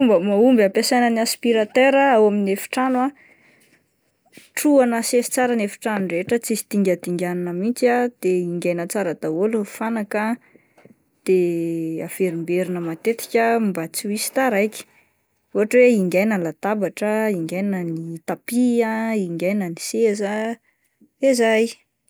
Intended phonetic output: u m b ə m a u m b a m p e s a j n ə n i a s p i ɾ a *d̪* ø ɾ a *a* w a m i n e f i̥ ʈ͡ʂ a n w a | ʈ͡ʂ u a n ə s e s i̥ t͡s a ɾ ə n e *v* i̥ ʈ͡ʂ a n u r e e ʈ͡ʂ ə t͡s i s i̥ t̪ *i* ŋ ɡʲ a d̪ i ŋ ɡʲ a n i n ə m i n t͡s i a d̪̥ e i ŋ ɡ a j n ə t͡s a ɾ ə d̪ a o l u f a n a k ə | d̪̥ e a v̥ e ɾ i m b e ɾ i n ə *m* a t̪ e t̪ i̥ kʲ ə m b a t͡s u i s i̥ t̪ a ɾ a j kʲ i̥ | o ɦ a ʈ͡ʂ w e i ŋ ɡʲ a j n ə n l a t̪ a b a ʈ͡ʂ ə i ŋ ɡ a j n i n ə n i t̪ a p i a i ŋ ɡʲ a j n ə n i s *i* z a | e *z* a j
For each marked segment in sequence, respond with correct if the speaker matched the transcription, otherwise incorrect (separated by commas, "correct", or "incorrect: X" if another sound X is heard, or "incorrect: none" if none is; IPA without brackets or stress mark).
incorrect: t̪, correct, incorrect: f, correct, correct, incorrect: e, correct